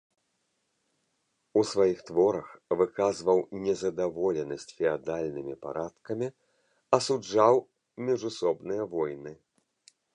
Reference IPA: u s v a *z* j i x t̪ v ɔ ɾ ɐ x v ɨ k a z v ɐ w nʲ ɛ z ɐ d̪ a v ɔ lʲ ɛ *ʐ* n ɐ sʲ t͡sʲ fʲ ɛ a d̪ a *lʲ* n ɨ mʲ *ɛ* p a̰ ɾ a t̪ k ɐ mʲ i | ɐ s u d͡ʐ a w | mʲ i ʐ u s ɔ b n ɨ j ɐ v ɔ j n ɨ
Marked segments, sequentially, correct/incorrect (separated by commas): incorrect, incorrect, correct, incorrect